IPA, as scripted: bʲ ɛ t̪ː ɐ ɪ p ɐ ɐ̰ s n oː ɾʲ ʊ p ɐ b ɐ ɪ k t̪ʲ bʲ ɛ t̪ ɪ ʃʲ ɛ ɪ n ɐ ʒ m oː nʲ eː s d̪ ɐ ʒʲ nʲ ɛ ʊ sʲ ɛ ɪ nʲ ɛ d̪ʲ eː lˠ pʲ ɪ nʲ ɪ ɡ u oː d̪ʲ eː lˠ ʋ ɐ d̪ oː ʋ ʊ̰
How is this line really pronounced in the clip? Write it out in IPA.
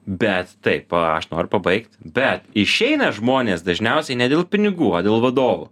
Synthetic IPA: bʲ ɛ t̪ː ɐ ɪ p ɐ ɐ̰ ʃ n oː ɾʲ ʊ p ɐ b ɐ ɪ k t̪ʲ bʲ ɛ t̪ ɪ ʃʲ ɛ ɪ n ɐ ʒ m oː nʲ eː s d̪ ɐ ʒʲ nʲ ɛ ʊ sʲ ɛ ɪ nʲ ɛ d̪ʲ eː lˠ pʲ ɪ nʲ ɪ ɡ uː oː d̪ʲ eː lˠ ʋ ɐ d̪ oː ʋ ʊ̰